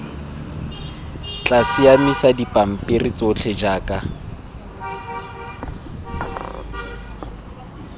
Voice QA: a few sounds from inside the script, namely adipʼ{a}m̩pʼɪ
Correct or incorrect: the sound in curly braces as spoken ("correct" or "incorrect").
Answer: correct